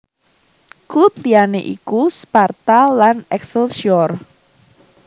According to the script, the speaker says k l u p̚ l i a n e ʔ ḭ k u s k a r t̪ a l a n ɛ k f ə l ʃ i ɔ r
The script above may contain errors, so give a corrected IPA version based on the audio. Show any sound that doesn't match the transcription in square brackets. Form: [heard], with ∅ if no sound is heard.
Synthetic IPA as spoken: k l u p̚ l i a n e ʔ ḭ k u s [p] a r t̪ a l a n ɛ k [s] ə l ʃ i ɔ r